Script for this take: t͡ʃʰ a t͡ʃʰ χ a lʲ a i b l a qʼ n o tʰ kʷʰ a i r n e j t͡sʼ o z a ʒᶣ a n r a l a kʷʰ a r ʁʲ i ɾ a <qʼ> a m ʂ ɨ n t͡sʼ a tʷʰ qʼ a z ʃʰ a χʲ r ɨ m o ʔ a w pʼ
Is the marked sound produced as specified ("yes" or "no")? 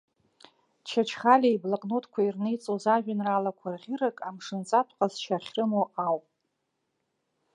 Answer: no